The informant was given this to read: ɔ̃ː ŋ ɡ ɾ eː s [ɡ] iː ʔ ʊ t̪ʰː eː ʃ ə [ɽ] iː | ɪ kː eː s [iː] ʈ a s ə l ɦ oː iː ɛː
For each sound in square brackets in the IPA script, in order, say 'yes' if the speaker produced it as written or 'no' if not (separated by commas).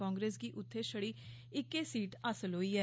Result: yes, yes, yes